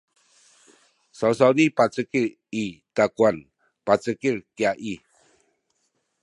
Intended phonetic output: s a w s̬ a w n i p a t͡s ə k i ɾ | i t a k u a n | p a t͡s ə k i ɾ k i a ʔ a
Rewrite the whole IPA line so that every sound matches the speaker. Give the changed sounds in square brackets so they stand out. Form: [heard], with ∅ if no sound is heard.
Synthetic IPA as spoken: s a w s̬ a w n i p a t͡s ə k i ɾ | i t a k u a n | p a t͡s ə k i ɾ k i a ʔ [i]

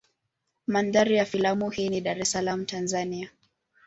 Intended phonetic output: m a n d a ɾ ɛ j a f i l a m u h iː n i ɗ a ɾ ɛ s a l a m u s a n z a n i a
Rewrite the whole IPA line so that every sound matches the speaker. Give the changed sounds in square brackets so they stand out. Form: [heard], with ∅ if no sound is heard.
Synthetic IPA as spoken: m a n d a ɾ [i] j a f i l a m u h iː n i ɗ a ɾ ɛ s a l a m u [t] a n z a n i a

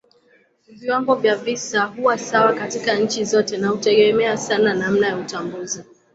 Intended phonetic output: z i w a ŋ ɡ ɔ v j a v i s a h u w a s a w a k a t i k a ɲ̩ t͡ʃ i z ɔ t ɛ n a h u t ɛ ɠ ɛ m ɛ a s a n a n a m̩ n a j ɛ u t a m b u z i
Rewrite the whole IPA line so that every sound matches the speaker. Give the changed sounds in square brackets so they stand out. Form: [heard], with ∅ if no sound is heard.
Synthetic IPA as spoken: [v] i w a ŋ ɡ ɔ v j a v i s a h u w a s a w a k a t i k a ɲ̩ t͡ʃ i z ɔ t ɛ n a h u t ɛ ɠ ɛ m ɛ a s a n a n a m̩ n a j [a] u t a m b u z i

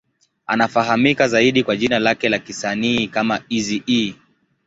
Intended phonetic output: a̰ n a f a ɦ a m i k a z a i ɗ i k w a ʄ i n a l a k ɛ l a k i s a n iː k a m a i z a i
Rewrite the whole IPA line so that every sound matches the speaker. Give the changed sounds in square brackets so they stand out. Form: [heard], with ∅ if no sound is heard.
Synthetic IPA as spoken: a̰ n a f a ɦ a m i k a z a i ɗ i k w a ʄ i n a l a k ɛ l a k i s a n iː k a m a i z [i] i

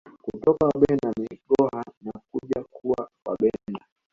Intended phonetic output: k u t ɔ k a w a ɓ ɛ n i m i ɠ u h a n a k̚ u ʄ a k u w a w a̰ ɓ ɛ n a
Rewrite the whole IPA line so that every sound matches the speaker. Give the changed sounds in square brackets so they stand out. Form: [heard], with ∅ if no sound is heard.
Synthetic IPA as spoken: k u t ɔ k a w a ɓ ɛ n [a] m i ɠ [ɔ] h a n a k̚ u ʄ a k u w a w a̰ ɓ ɛ n a

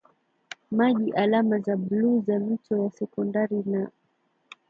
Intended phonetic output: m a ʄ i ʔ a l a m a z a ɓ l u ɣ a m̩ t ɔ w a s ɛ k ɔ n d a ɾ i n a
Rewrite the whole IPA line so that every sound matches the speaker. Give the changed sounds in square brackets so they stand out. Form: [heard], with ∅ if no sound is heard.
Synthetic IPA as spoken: m a ʄ i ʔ a l a m a z a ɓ l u [z] a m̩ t ɔ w a s ɛ k ɔ n d a ɾ i n a

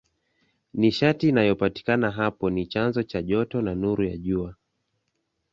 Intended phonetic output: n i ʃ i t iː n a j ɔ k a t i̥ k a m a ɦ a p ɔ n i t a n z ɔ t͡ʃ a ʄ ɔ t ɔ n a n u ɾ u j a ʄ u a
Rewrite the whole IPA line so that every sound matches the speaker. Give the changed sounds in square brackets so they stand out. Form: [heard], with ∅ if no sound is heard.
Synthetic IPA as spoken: n i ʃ [a] t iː n a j ɔ [p] a t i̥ k a [n] a ɦ a p ɔ n i [t͡ʃ] a n z ɔ t͡ʃ a ʄ ɔ t ɔ n a n u ɾ u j a ʄ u a

